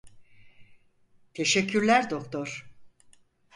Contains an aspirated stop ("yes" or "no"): yes